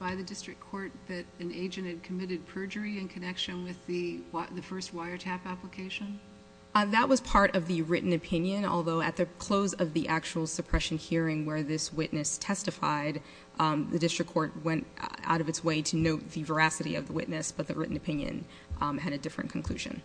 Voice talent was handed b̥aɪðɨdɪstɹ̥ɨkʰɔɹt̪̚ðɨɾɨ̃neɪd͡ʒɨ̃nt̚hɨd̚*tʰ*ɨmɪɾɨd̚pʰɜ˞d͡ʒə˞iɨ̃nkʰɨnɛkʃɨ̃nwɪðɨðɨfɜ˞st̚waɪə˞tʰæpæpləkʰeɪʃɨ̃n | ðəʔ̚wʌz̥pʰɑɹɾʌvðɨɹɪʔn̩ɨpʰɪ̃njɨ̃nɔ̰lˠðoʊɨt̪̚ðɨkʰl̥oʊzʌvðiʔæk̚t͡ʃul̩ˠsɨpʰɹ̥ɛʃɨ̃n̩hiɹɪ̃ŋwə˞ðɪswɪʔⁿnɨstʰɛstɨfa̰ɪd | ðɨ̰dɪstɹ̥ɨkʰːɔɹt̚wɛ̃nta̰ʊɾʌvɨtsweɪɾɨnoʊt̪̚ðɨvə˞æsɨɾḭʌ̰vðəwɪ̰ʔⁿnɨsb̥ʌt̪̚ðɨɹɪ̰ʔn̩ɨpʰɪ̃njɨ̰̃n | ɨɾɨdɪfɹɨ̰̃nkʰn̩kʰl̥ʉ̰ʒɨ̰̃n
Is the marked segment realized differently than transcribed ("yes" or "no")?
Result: yes